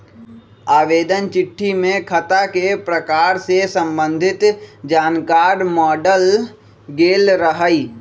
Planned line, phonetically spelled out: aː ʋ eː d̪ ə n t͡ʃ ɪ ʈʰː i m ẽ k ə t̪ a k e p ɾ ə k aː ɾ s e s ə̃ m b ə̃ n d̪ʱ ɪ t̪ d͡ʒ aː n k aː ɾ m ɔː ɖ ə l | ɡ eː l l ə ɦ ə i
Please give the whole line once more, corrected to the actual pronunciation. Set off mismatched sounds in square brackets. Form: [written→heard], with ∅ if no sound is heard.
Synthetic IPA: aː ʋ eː d̪ ə n t͡ʃ ɪ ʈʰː i m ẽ [k→kʰ] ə t̪ a k e p ɾ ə k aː ɾ s e s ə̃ m b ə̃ n d̪ʱ ɪ t̪ d͡ʒ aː n k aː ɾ m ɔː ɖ ə l | ɡ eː l [l→ɾ] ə ɦ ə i

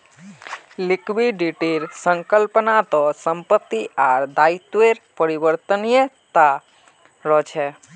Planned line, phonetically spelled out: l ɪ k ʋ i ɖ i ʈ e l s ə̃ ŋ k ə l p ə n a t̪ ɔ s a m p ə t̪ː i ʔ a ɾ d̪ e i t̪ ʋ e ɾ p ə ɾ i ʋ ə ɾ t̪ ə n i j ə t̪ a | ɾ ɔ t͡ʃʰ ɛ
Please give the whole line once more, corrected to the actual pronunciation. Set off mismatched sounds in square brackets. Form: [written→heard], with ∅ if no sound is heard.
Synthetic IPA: l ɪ k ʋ i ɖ i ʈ e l s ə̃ ŋ k ə l p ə n a t̪ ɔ s [a→ə] m p ə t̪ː i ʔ a ɾ d̪ [e→a] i t̪ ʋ e ɾ p ə ɾ i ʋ ə ɾ t̪ ə n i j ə t̪ a | ɾ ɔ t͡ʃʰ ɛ

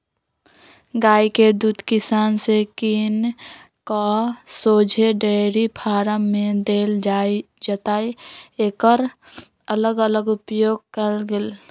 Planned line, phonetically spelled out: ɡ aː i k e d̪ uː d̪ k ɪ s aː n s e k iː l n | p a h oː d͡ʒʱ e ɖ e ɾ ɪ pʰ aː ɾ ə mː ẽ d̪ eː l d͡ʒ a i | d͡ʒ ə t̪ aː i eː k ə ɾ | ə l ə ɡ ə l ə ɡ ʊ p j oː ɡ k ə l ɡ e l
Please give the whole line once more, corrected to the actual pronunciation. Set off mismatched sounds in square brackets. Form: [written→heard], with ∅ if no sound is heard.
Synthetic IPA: ɡ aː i k e d̪ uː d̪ k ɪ s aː n s e k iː [l→∅] n | [p→k] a [h→s] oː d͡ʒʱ e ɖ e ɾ [ɪ→i] pʰ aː ɾ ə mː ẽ d̪ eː l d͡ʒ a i | d͡ʒ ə t̪ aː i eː k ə ɾ | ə l ə ɡ ə l ə ɡ ʊ p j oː ɡ k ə l ɡ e l

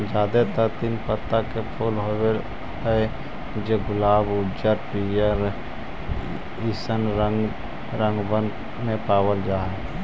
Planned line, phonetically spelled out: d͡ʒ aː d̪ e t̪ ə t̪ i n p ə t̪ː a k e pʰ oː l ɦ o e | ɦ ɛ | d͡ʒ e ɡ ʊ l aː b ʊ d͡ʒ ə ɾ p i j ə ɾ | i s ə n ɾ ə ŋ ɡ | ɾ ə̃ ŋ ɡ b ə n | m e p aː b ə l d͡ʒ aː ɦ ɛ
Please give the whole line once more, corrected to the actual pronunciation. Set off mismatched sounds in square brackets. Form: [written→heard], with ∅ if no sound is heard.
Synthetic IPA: d͡ʒ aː d̪ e t̪ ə t̪ i n p ə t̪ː a k e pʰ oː l ɦ o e | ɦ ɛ | d͡ʒ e ɡ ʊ l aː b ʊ d͡ʒ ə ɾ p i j ə ɾ | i s ə n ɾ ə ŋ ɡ | ɾ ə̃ ŋ ɡ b ə n | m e p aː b ə l d͡ʒ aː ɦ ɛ

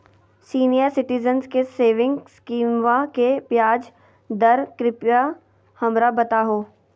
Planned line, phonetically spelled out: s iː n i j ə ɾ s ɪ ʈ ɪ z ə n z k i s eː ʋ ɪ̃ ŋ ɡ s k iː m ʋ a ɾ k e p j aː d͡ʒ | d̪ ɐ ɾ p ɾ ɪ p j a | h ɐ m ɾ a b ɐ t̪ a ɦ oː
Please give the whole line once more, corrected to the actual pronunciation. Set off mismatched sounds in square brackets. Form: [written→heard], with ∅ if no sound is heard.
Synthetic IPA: s iː n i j ə ɾ s ɪ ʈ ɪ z ə n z k [i→e] s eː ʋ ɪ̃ ŋ ɡ s k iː m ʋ a [ɾ→∅] k e p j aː d͡ʒ | d̪ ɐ ɾ [p→k] ɾ ɪ p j a | h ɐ m ɾ a b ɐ t̪ a ɦ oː

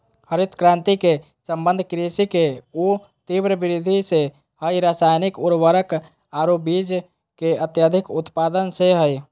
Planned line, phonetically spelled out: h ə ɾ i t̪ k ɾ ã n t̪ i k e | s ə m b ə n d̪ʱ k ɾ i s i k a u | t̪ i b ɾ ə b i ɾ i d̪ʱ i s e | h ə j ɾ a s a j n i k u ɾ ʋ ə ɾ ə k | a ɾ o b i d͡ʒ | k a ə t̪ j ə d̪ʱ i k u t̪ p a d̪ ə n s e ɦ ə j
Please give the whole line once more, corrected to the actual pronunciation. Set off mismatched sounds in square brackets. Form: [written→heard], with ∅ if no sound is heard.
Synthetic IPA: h ə ɾ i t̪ k ɾ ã n t̪ i k e | s ə m b ə n d̪ʱ k ɾ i s i k [a→e] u | t̪ i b ɾ ə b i ɾ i d̪ʱ i s e | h ə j ɾ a s a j n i k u ɾ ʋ ə ɾ ə k | a ɾ o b i d͡ʒ | k [a→e] ə t̪ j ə d̪ʱ i k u t̪ p a d̪ ə n s e ɦ ə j

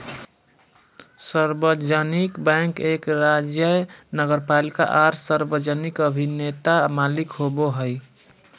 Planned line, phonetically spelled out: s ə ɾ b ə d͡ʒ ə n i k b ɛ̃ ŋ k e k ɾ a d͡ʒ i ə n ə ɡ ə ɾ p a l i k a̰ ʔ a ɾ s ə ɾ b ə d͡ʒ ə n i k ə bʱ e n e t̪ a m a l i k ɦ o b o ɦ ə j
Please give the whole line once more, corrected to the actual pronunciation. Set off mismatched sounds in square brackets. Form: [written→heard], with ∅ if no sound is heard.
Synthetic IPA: s ə ɾ b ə d͡ʒ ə n i k b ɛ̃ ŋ k e k ɾ a d͡ʒ [i→j] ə n ə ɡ ə ɾ p a l i k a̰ ʔ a ɾ s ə ɾ b ə d͡ʒ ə n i k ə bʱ [e→i] n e t̪ a m a l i k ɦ o b o ɦ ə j

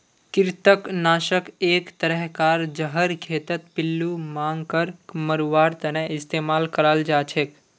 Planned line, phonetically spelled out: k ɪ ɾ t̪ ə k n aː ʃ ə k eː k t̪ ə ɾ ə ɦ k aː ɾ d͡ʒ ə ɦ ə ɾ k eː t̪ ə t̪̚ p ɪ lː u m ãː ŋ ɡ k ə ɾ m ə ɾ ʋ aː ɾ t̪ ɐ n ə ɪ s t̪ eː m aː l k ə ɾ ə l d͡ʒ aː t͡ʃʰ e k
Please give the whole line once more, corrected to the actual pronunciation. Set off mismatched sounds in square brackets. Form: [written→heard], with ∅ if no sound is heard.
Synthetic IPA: k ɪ ɾ t̪ ə k n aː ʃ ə k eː k t̪ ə ɾ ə ɦ k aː ɾ d͡ʒ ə ɦ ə ɾ [k→kʰ] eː t̪ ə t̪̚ p ɪ lː u m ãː ŋ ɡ k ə ɾ m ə ɾ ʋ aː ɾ t̪ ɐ n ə ɪ s t̪ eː m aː l k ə ɾ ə l d͡ʒ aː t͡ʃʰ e k

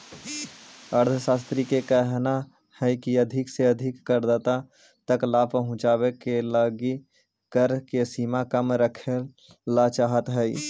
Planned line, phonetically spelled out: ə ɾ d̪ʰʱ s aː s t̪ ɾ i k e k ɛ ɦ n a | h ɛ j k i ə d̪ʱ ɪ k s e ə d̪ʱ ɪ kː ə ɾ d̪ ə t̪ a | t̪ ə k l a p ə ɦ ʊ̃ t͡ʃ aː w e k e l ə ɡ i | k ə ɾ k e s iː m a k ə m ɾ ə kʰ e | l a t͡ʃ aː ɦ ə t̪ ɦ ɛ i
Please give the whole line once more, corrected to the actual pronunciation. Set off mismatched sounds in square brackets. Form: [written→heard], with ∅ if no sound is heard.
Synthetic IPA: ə ɾ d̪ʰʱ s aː s t̪ ɾ i k e k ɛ ɦ n a | h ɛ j k i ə d̪ʱ ɪ k s e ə d̪ʱ ɪ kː ə ɾ d̪ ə t̪ a | t̪ ə k l a p ə ɦ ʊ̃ t͡ʃ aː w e k e l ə ɡ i | k ə ɾ k e s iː m a k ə m ɾ ə kʰ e | l a t͡ʃ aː ɦ ə t̪ ɦ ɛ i

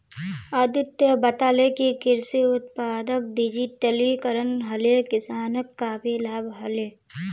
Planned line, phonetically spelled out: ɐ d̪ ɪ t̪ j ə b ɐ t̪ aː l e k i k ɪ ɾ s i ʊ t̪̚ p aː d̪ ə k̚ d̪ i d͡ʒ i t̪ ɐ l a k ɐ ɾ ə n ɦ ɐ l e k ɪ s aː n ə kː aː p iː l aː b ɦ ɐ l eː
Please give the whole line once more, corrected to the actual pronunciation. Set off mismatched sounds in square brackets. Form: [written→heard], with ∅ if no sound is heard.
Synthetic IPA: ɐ d̪ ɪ t̪ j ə b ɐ t̪ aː l e k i k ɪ ɾ s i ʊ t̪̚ p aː d̪ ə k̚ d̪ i d͡ʒ i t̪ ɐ l [a→i] k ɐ ɾ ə n ɦ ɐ l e k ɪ s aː n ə kː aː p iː l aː b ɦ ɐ l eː

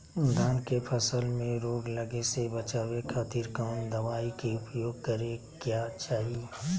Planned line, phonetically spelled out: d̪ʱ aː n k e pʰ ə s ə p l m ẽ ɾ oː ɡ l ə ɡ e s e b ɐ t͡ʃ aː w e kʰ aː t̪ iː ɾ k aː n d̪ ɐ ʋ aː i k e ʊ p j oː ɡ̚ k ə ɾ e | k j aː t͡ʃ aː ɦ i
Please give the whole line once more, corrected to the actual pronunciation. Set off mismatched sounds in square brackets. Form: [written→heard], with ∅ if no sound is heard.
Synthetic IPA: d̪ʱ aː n k e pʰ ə s ə [p→∅] l m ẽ ɾ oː ɡ l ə ɡ e s e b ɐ t͡ʃ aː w e kʰ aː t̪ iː ɾ k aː n d̪ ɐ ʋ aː i k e ʊ p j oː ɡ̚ k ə ɾ e | k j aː t͡ʃ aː ɦ i

